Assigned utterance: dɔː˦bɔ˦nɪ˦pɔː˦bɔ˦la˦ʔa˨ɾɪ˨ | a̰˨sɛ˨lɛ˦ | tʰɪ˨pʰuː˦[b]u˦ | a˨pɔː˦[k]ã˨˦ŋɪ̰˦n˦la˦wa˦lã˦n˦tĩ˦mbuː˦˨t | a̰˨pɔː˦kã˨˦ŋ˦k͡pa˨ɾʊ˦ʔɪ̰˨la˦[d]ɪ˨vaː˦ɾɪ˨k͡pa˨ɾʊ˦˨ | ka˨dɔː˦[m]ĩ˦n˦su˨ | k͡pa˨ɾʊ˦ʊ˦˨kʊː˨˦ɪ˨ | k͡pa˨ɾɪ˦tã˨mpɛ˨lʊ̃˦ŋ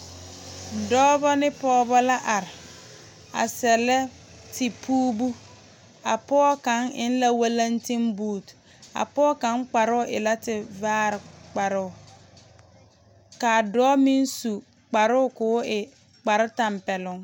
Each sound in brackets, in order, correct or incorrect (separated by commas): correct, correct, incorrect, correct